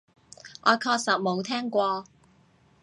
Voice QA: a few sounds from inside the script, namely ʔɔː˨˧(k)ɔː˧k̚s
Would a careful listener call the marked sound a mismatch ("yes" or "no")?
yes